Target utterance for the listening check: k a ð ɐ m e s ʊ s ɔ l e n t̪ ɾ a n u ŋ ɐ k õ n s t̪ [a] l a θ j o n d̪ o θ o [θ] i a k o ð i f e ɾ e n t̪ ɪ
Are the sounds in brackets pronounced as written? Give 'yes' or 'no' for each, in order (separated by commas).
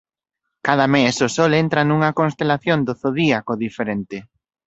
no, no